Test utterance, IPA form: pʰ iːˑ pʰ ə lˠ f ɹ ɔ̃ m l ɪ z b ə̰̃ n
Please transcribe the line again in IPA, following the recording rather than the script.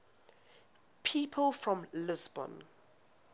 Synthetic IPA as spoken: pʰ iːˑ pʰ ə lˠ f ɹ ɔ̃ m l ɪ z b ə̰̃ n